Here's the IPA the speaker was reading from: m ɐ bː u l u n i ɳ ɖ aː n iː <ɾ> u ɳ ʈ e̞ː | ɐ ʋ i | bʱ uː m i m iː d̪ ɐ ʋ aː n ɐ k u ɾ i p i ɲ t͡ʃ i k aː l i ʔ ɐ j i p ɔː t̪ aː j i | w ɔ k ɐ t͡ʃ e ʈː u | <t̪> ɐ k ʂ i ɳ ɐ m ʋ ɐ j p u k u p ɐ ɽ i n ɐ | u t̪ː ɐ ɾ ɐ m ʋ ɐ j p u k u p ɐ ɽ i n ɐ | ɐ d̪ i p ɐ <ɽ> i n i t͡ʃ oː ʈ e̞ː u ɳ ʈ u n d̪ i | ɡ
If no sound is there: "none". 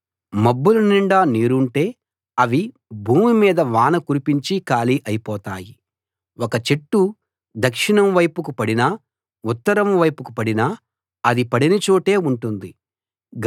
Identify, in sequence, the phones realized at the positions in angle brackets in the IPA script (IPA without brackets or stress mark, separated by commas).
ɾ, d̪, ɽ